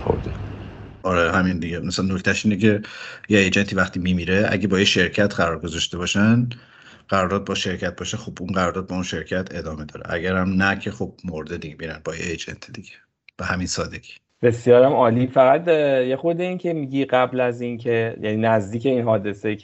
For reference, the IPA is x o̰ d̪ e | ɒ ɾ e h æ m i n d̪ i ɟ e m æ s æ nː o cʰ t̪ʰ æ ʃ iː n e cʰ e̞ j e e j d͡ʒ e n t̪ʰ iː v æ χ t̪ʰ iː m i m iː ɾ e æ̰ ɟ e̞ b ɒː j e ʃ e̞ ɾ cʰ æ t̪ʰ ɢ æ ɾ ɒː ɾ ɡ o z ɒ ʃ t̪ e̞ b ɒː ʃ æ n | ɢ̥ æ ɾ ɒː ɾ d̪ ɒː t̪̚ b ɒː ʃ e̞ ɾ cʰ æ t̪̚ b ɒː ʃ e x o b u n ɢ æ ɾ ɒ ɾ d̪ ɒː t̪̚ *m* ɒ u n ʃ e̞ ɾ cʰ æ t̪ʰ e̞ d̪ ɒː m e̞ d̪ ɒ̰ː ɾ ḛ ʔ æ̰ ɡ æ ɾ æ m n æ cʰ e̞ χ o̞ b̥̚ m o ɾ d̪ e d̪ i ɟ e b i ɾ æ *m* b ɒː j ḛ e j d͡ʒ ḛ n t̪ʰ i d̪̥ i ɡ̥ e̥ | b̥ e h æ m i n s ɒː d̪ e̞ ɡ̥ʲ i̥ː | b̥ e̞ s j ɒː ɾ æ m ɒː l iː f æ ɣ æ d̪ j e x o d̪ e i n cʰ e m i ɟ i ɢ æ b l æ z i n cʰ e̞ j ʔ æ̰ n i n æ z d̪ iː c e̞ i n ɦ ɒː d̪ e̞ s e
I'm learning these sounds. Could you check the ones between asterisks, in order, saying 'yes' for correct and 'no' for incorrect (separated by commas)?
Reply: no, no